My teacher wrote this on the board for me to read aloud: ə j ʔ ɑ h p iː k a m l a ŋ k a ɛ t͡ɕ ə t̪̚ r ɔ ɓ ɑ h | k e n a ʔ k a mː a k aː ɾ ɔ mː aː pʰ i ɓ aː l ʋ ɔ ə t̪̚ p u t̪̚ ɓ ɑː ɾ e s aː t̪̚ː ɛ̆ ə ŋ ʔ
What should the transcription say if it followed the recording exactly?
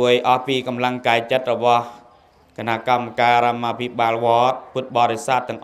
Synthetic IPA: ə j ʔ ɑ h p iː k ɑ m l a ŋ k a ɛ t͡ɕ ə t̪̚ r ɔ ɓ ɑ h | k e n a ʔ k a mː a k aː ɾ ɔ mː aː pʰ i ɓ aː l ʋ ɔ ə t̪̚ p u t̪̚ ɓ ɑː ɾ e s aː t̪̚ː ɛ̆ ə ŋ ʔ